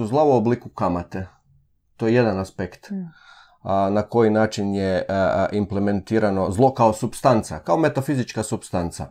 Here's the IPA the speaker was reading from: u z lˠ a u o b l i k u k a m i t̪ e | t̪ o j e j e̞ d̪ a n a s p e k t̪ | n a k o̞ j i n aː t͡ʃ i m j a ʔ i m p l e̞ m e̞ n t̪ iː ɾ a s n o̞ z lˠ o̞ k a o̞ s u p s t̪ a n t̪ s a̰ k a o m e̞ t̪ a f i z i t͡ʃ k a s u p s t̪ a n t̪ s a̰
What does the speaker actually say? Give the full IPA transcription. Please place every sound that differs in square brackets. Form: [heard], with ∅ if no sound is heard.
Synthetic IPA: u z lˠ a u o b l i k u k a m [a] t̪ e | t̪ o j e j e̞ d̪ a n a s p e k t̪ | n a k o̞ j i n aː t͡ʃ i [n] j [e] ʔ i m p l e̞ m e̞ n t̪ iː ɾ a [∅] n o̞ z lˠ o̞ k a o̞ s u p s t̪ a n t̪ s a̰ k a o m e̞ t̪ a f i z i t͡ʃ k a s u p s t̪ a n t̪ s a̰